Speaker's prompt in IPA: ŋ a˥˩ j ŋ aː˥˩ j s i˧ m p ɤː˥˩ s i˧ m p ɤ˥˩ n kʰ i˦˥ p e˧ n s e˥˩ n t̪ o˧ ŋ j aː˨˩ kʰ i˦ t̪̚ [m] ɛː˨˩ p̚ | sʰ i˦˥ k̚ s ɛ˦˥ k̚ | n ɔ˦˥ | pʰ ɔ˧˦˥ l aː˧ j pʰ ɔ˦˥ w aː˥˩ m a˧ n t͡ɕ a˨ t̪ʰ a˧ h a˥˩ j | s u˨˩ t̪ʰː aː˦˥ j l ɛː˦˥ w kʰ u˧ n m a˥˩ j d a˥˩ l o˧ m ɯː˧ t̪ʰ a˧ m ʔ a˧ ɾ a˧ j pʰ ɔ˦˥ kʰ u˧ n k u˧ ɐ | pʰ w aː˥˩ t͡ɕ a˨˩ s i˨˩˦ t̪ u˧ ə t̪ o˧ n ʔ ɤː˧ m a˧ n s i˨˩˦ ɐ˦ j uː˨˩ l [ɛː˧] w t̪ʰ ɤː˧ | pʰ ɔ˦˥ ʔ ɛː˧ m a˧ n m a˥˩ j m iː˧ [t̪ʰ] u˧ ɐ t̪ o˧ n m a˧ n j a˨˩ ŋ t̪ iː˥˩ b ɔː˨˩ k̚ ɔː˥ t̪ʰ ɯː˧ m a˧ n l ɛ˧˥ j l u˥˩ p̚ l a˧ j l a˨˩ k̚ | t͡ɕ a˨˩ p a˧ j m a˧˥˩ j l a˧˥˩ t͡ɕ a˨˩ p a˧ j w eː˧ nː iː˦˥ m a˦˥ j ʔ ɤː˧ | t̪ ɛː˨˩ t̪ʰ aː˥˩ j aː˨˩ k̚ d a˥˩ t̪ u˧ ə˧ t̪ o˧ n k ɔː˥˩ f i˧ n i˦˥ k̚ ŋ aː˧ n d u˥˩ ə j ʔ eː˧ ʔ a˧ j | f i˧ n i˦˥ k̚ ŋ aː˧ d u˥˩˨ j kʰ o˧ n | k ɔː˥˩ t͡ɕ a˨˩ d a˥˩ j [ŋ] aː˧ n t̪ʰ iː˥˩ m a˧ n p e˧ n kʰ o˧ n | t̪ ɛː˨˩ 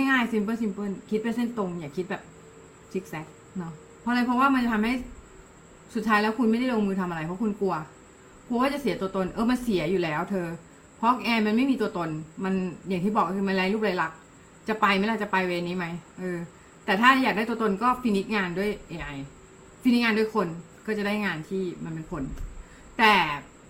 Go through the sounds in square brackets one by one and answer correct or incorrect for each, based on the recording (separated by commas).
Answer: incorrect, incorrect, incorrect, correct